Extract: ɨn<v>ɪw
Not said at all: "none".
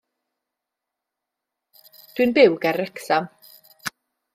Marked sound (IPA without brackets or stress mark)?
b